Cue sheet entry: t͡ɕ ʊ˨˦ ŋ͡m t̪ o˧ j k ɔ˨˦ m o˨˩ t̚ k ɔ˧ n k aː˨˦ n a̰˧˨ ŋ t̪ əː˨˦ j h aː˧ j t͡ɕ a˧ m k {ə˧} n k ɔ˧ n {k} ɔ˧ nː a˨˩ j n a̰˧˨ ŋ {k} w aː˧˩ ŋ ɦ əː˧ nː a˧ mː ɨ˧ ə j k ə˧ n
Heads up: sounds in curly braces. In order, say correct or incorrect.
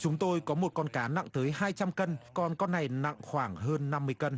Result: correct, correct, incorrect: x

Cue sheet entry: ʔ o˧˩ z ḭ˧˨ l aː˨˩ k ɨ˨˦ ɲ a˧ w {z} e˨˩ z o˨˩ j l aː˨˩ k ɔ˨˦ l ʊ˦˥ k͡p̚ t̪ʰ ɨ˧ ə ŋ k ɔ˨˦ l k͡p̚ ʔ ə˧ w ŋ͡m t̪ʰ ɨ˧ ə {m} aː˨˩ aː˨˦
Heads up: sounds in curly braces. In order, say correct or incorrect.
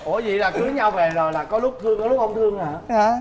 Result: incorrect: v, incorrect: ŋ

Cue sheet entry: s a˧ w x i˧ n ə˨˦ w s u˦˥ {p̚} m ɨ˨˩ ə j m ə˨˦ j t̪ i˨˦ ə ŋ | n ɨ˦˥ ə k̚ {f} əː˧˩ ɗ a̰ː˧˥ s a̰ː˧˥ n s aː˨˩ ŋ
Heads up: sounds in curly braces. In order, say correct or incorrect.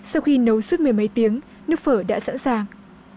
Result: incorrect: t̚, correct

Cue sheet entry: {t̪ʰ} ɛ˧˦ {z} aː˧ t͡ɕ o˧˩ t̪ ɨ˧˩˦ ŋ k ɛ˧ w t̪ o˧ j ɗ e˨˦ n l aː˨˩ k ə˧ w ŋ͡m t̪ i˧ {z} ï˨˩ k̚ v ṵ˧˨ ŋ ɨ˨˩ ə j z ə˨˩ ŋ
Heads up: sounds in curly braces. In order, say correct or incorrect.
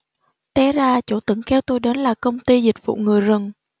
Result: incorrect: t̪, correct, correct

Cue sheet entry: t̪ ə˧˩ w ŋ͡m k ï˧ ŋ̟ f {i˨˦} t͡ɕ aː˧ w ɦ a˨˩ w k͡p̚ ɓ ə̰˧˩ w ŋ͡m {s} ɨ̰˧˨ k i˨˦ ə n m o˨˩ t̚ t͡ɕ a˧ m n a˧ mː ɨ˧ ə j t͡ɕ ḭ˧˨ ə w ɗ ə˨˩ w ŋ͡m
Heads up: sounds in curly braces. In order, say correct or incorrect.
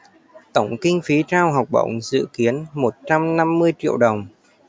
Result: correct, incorrect: z

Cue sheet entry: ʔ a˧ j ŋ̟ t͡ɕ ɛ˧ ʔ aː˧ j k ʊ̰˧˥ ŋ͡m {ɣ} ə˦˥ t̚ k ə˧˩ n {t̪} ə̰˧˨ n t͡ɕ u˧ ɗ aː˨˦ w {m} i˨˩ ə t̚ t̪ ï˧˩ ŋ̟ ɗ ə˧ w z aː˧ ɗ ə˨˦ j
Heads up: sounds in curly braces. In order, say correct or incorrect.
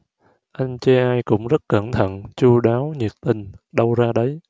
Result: incorrect: z, incorrect: t̪ʰ, incorrect: ɲ

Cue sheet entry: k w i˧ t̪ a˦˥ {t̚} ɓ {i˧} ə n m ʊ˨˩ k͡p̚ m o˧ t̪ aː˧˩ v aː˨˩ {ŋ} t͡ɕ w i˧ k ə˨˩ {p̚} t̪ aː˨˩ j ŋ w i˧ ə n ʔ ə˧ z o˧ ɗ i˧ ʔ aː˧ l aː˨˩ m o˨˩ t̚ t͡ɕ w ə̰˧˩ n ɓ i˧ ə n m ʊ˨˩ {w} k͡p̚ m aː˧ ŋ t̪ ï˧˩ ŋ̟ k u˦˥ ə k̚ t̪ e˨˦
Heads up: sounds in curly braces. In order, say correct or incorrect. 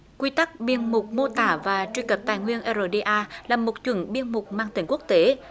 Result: incorrect: k̚, correct, incorrect: none, correct, incorrect: none

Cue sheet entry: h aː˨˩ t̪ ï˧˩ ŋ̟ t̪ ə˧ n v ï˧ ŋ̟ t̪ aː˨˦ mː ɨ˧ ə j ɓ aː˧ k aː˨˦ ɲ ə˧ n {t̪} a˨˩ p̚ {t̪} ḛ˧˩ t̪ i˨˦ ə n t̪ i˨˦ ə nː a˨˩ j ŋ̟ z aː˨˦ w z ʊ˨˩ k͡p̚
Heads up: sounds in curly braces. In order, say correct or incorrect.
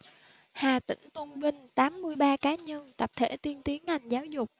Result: correct, incorrect: t̪ʰ

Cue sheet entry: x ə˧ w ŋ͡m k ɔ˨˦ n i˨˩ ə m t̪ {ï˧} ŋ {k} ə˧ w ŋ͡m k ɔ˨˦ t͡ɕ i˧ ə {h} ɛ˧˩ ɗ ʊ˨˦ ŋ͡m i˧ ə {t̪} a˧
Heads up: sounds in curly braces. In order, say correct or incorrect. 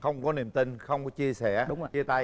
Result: correct, incorrect: x, incorrect: s, correct

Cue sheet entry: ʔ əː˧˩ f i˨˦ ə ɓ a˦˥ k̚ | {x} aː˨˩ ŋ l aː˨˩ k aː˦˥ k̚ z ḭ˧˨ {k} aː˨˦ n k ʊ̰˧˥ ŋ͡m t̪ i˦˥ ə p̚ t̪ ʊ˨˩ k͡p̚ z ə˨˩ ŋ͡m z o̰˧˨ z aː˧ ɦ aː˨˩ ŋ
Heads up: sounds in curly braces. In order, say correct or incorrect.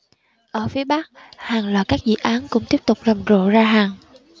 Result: incorrect: h, incorrect: ʔ

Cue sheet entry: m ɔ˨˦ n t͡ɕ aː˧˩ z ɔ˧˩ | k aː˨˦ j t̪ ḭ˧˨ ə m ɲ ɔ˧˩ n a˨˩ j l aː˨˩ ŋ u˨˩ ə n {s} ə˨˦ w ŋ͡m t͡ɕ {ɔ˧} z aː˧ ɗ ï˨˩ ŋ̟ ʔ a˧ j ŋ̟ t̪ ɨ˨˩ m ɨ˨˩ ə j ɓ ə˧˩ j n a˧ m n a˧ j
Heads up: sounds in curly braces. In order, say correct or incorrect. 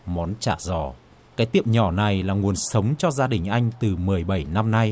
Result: correct, correct

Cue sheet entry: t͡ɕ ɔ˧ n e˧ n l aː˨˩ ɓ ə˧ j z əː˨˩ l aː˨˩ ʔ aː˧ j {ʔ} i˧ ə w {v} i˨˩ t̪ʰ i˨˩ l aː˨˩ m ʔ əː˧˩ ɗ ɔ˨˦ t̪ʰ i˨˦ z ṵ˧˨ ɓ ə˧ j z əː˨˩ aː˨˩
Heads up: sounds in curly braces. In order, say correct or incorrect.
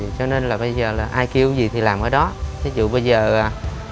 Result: incorrect: k, incorrect: z

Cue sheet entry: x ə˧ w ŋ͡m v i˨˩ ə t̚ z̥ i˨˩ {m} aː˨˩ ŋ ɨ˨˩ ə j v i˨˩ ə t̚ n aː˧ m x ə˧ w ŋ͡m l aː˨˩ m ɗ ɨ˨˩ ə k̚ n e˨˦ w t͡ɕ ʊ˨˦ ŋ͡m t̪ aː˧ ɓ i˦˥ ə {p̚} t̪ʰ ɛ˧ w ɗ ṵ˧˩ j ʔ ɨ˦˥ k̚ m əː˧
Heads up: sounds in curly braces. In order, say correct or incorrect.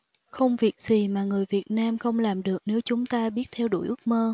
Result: correct, incorrect: t̚

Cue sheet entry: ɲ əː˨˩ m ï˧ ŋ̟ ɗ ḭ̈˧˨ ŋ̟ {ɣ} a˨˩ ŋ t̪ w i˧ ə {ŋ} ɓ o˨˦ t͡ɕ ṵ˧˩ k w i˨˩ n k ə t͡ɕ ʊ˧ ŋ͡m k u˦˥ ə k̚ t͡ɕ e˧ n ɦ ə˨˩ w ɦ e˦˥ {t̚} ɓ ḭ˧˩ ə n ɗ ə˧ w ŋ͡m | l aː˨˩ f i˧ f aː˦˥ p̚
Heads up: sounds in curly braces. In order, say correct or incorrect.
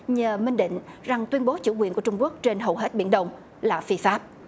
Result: incorrect: z, incorrect: n, correct

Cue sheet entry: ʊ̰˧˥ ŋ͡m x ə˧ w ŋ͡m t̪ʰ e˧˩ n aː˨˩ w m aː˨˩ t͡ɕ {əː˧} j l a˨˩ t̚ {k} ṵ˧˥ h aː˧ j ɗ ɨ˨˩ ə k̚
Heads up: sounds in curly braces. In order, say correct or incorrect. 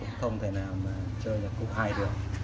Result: correct, correct

